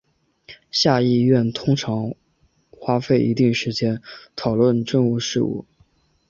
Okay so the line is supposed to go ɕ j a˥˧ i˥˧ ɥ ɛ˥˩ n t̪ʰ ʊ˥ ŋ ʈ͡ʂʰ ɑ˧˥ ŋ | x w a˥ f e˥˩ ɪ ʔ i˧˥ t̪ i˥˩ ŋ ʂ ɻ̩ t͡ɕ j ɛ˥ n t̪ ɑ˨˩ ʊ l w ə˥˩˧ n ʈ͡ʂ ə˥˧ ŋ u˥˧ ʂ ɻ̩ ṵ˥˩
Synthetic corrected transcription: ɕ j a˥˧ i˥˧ ɥ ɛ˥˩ n t̪ʰ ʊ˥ ŋ ʈ͡ʂʰ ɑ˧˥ ŋ | x w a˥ f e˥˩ ɪ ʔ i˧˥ t̪ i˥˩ ŋ ʂ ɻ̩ t͡ɕ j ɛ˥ n t̪ʰ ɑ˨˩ ʊ l w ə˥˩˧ n ʈ͡ʂ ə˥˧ ŋ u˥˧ ʂ ɻ̩ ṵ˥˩